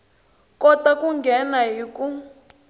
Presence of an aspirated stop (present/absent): absent